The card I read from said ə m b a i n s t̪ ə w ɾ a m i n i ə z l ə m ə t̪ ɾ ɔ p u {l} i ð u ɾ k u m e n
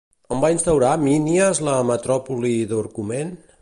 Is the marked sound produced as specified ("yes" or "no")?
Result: yes